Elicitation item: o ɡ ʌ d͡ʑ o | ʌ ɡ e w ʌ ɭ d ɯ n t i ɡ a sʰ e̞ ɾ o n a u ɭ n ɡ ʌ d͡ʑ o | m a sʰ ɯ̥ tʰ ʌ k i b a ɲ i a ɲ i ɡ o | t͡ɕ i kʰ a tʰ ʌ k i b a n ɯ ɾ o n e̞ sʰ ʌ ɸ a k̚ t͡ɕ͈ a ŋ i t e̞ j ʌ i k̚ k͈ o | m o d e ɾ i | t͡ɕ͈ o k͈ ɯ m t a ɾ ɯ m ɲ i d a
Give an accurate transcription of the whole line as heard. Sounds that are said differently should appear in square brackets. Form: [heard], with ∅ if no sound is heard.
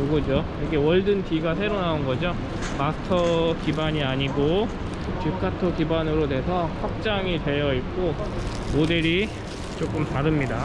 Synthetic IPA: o ɡ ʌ d͡ʑ o | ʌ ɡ e w ʌ ɭ d ɯ n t i ɡ a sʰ e̞ ɾ o n a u [∅] n ɡ ʌ d͡ʑ o | m a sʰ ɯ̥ tʰ ʌ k i b a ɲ i a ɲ i ɡ o | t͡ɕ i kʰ a tʰ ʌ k i b a n ɯ ɾ o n e̞ sʰ ʌ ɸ a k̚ t͡ɕ͈ a ŋ i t e̞ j ʌ i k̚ k͈ o | m o d e ɾ i | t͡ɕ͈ o k͈ ɯ m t a ɾ ɯ m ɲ i d a